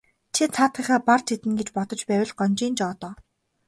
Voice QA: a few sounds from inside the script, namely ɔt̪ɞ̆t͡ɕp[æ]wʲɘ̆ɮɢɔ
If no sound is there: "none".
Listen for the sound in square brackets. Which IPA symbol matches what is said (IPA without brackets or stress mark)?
æː